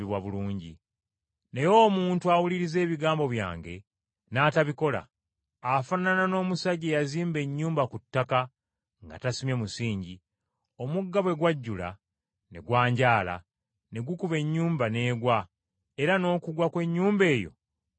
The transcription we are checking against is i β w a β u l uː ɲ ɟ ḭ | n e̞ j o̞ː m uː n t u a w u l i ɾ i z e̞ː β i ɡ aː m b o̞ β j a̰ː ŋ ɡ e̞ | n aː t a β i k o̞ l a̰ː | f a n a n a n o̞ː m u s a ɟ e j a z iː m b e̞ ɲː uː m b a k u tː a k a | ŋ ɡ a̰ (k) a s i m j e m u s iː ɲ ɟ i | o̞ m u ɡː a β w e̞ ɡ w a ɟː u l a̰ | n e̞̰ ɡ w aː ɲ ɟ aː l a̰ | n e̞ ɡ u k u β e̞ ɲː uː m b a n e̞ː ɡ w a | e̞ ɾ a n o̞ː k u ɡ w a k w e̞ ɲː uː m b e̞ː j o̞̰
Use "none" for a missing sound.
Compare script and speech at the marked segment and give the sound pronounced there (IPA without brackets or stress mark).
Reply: t